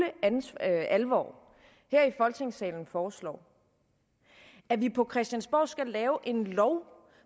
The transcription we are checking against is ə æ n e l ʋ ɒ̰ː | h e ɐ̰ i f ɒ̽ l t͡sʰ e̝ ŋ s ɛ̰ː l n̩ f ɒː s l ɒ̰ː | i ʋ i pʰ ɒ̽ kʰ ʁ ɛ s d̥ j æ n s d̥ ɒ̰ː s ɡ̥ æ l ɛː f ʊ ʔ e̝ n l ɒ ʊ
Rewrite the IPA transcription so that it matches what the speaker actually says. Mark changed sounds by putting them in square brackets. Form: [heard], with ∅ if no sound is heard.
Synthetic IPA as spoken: ə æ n [æ] l ʋ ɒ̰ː | h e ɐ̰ i f ɒ̽ l t͡sʰ e̝ ŋ s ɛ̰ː l n̩ f ɒː s l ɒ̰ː | [æ] ʋ i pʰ ɒ̽ kʰ ʁ ɛ s d̥ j æ n s [b̥] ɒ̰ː s ɡ̥ æ l ɛː [∅] ʊ ʔ e̝ n l ɒ ʊ